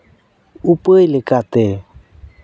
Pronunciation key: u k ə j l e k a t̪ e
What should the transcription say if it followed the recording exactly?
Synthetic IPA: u p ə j l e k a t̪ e

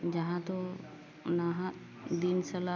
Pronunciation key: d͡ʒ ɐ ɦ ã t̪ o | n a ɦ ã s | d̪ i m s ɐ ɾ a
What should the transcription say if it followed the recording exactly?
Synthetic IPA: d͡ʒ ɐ ɦ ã t̪ o | n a ɦ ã | d̪ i n s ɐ l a

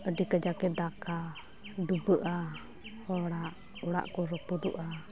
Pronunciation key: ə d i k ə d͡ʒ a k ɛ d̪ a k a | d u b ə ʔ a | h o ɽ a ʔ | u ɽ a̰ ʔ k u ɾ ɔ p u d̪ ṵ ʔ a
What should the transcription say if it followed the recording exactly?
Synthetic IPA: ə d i k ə d͡ʒ a k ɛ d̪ a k a | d u b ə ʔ a | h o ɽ a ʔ | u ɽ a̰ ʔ k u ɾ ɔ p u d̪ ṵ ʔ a

